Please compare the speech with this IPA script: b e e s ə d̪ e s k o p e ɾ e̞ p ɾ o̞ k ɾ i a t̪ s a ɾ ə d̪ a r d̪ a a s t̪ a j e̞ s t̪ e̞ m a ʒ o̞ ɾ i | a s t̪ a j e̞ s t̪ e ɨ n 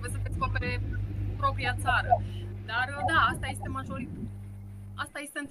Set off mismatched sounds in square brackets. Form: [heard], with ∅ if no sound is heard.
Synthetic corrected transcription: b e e s ə d̪ e s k o p e ɾ e̞ p ɾ o̞ [p] ɾ i a t̪ s a ɾ ə d̪ a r d̪ a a s t̪ a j e̞ s t̪ e̞ m a ʒ o̞ ɾ i | a s t̪ a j e̞ s t̪ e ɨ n